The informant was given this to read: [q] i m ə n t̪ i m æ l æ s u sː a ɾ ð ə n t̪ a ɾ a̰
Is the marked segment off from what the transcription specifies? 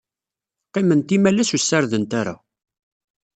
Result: no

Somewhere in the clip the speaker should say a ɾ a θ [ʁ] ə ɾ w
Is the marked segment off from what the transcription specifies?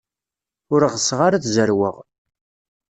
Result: yes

